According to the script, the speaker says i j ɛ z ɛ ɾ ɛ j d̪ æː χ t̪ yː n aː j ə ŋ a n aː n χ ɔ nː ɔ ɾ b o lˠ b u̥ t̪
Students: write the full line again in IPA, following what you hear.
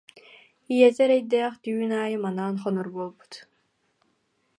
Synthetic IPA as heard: i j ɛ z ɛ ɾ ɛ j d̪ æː χ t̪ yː n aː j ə m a n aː n χ ɔ n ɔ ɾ b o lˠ b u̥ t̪